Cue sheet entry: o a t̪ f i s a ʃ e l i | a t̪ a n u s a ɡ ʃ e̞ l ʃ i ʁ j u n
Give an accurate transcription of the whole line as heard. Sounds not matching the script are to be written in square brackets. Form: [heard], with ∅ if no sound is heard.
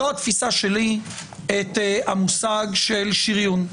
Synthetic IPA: o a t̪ f i s a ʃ e l i | [e] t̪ a [m] u s a ɡ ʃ e̞ l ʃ i ʁ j u n

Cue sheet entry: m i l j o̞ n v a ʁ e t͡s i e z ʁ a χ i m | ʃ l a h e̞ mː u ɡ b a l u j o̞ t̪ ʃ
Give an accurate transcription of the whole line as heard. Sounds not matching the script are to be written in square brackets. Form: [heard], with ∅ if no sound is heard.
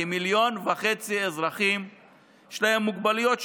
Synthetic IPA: m i l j o̞ n v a [χ] e t͡s i e z ʁ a χ i m | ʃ l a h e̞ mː u ɡ b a l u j o̞ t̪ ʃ

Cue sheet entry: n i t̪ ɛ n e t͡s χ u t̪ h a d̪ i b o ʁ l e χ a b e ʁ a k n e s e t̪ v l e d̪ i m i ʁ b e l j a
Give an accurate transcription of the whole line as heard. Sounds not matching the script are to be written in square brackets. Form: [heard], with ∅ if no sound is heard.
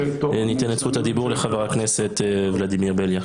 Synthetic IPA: n i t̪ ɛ n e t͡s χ u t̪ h a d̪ i b [u] ʁ l e χ a [v] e ʁ a k n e s e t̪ v l [a] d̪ i m i ʁ b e l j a

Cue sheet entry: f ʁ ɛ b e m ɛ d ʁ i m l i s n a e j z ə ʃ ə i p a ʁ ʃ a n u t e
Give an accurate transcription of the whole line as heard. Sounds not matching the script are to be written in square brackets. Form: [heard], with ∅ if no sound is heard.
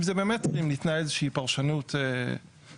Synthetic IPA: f [z] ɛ b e m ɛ [t] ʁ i m l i [t] n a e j z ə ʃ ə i p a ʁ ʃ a n u t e

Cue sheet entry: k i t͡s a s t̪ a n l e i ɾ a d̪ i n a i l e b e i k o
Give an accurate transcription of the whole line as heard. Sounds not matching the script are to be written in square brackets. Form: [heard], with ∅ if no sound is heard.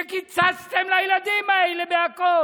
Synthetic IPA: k i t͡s a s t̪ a [m] l [a] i [l] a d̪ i [m] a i l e b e [a] k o

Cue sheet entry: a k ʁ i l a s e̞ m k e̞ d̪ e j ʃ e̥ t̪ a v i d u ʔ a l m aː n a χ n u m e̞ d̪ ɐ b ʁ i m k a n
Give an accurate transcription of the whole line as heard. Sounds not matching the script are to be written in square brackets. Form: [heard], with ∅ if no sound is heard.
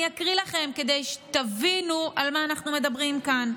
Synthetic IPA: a k ʁ i l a [χ] e̞ m k e̞ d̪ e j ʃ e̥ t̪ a v i [n] u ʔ a l m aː n a χ n u m e̞ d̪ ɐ b ʁ i m k a n

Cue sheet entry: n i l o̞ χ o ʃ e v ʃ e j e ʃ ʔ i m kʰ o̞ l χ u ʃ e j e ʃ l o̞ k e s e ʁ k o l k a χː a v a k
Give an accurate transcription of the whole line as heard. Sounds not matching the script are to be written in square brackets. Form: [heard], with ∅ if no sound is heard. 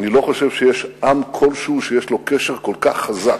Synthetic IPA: n i l o̞ χ o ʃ e v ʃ e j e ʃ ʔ [a] m kʰ o̞ l [ʃ] u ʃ e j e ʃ l o̞ k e [ʃ] e ʁ k o l k a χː a [z] a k

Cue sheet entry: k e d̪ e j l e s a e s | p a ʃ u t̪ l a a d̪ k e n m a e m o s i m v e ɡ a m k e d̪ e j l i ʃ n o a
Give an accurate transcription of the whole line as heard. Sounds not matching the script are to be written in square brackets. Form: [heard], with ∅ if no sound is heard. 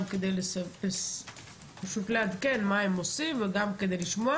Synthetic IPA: k e d̪ e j l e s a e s | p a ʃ u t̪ l [e] a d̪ k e n m a e m o s i m v e ɡ a m k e d̪ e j l i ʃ [m] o a

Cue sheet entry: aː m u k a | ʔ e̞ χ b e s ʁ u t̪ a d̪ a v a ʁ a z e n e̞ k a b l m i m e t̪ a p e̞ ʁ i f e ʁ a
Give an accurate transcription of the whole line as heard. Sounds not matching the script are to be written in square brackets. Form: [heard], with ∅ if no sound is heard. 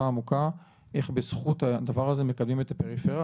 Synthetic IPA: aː m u k a | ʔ e̞ χ b e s [χ] u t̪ a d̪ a v a ʁ a z e [m] e̞ k a b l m i m e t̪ a p e̞ ʁ i f e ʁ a

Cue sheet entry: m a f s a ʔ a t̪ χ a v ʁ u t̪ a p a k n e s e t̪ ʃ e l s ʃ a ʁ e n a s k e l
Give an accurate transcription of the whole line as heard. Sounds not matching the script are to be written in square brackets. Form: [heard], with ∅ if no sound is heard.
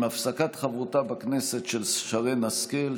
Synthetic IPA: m a f s a [k] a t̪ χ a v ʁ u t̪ a [b] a k n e s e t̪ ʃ e l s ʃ a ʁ e n a s k e l

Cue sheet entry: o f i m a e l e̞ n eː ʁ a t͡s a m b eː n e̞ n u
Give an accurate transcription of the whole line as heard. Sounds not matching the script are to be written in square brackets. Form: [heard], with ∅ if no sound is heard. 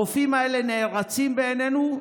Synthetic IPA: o f i m a e l e̞ n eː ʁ a t͡s [i] m b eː n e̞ n u

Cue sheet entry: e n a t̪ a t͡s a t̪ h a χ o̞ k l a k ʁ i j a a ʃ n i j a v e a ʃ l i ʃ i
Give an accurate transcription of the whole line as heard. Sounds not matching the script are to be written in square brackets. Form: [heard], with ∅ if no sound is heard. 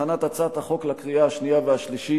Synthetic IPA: [a] n a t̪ a t͡s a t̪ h a χ o̞ k l a k ʁ i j a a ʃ n i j a v e a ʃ l i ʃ i

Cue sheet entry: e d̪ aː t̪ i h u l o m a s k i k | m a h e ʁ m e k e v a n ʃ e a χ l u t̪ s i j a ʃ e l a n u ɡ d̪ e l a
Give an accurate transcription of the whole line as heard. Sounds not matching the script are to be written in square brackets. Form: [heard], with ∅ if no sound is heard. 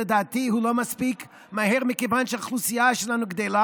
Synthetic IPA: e d̪ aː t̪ i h u l o m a s [p] i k | m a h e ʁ m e k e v a n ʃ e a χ l u [∅] s i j a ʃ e l a n u ɡ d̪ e l a

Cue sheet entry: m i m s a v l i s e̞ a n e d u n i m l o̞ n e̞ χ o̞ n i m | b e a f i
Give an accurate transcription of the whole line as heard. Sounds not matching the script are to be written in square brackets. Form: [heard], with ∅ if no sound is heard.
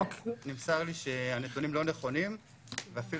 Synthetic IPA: [n] i m s a [ʁ] l i [ʃ] e̞ a n e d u n i m l o̞ n e̞ χ o̞ n i m | [v] e a f i

